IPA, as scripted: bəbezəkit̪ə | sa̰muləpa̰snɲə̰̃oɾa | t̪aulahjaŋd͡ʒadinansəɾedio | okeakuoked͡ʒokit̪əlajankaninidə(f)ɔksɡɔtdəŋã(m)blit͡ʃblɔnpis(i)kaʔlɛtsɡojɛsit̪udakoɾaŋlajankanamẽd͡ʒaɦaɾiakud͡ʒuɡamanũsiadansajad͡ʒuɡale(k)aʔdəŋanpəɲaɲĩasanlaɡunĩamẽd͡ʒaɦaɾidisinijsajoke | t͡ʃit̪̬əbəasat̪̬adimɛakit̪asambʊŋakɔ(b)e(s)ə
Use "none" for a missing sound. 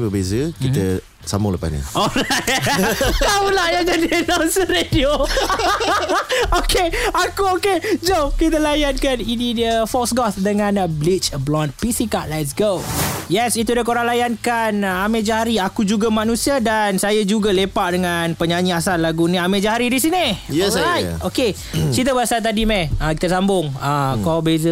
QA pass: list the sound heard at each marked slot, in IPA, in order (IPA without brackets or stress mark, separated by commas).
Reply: f, n, i, p, b, z